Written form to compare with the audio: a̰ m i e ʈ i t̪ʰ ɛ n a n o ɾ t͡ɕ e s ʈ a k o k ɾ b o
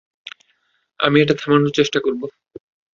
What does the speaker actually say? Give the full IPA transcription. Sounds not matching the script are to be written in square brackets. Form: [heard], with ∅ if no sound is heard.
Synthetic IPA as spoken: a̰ m i e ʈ [a] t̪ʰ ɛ [m] a n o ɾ t͡ɕ e [ʃ] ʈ a k o [∅] ɾ b o